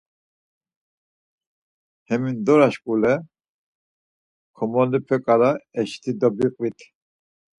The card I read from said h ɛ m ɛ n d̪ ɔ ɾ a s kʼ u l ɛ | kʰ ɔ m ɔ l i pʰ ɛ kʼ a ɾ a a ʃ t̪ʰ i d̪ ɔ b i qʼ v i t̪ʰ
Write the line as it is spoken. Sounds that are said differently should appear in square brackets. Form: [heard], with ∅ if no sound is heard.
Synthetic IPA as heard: h ɛ m [i] n d̪ ɔ ɾ a [ʃ] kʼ u l ɛ | kʰ ɔ m ɔ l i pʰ ɛ kʼ a ɾ a [ɛ] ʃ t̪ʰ i d̪ ɔ b i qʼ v i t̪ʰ